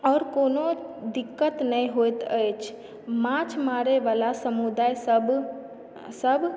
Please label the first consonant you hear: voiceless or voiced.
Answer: voiced